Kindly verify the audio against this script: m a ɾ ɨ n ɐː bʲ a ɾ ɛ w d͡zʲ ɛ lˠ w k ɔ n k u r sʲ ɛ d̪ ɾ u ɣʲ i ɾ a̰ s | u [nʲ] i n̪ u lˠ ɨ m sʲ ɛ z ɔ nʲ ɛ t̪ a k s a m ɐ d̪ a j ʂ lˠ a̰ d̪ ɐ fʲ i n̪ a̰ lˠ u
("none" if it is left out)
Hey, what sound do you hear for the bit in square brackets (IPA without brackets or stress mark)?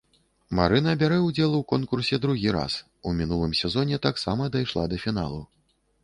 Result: mʲ